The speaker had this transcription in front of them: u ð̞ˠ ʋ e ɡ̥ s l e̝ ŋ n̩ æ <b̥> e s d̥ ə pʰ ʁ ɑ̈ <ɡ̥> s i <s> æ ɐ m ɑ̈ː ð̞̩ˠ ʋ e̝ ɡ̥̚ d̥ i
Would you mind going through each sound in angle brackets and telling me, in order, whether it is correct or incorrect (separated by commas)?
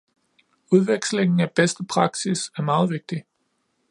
correct, correct, correct